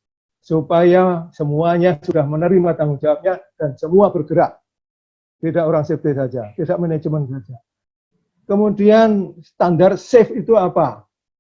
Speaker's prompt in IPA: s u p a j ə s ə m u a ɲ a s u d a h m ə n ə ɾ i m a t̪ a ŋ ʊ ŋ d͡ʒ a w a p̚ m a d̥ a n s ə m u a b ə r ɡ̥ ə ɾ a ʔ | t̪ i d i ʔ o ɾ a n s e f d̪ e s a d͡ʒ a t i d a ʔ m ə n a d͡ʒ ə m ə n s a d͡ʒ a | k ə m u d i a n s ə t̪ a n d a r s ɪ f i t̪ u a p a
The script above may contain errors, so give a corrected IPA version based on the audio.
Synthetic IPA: s u p a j a s ə m u a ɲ a s u d a h m ə n ə ɾ i m a t̪ a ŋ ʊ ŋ d͡ʒ a w a p̚ ɲ a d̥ a n s ə m u a b ə r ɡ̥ ə ɾ a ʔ | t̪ i d a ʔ o ɾ a ŋ s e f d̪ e s a d͡ʒ a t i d a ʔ m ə n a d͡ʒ ə m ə n s a d͡ʒ a | k ə m u d i a n s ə t̪ a n d a r s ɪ f i t̪ u a p a